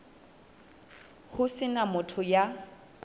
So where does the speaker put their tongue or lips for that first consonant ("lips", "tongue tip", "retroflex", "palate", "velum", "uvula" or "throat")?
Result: throat